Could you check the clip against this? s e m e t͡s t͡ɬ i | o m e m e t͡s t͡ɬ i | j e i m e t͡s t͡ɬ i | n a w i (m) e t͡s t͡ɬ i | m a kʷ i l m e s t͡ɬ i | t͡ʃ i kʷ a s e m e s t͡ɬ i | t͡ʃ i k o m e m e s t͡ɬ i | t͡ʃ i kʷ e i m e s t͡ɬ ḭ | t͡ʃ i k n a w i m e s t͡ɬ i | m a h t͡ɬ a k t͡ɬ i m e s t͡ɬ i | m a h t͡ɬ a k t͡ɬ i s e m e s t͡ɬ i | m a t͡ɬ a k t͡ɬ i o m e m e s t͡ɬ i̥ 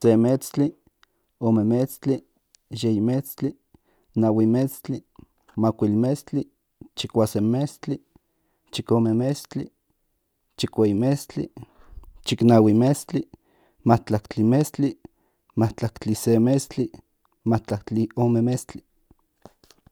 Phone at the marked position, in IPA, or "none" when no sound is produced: m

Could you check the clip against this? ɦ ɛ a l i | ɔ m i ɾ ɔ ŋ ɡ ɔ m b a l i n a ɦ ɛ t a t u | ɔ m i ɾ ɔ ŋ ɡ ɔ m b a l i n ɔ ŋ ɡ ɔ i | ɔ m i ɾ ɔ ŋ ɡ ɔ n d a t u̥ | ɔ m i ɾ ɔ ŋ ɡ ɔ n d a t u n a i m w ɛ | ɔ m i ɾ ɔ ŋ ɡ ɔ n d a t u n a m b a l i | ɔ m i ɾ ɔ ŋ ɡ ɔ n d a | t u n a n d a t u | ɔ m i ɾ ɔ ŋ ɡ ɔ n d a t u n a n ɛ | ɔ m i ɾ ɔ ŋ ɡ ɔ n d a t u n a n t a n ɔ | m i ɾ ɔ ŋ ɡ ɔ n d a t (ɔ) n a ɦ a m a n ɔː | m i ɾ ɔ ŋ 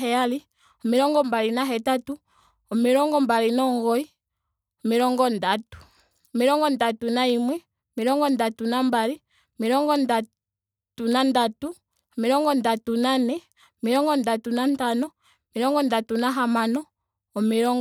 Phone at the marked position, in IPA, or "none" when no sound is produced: u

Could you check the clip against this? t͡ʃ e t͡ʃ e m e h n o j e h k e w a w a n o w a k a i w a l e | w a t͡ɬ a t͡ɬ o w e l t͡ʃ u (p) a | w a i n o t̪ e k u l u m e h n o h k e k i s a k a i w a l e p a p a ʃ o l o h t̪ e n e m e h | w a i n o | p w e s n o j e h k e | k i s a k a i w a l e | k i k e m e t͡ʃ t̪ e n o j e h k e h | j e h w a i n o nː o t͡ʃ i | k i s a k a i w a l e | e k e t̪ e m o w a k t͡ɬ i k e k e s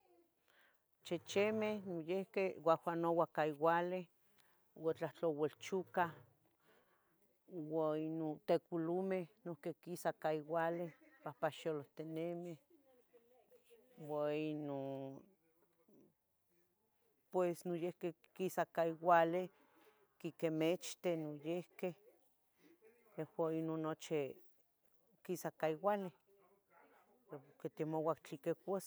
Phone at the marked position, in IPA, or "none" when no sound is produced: k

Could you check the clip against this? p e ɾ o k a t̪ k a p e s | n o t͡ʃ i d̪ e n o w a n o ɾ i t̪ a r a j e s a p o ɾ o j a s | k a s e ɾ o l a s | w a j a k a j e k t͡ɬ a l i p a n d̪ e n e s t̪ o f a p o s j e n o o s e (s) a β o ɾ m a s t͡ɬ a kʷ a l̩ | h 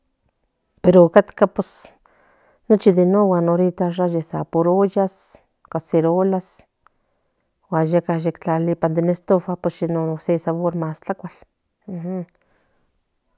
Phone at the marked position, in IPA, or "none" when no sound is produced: s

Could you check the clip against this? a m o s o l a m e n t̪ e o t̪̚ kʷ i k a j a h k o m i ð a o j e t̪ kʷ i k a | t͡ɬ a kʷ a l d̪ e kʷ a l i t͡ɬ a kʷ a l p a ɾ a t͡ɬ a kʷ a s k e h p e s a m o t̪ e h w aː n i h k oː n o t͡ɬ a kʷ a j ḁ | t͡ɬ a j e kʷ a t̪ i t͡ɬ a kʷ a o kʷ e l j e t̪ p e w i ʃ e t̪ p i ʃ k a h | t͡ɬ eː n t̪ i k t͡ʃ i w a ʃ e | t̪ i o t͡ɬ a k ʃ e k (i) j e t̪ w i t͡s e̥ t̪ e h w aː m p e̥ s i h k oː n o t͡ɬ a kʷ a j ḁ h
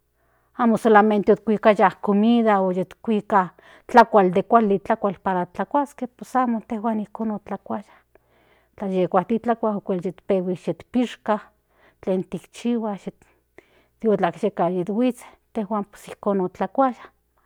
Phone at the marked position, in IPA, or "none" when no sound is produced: a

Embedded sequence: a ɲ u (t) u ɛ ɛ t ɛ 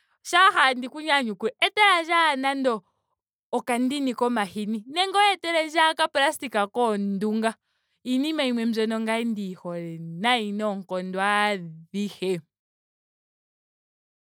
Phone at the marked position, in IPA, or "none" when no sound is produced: k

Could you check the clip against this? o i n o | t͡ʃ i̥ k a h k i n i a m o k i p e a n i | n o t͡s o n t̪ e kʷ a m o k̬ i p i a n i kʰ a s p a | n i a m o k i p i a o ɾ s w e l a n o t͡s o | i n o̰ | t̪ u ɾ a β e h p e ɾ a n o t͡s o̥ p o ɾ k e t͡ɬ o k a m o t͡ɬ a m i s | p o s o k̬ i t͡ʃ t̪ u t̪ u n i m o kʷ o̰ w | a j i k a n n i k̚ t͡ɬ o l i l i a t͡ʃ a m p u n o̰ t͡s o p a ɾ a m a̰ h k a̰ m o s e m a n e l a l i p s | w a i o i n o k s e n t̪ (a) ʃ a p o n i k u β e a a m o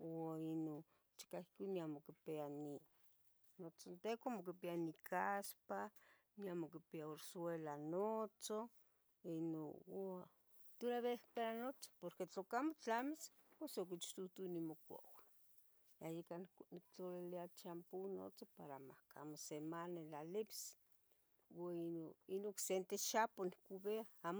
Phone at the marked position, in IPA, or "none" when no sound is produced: e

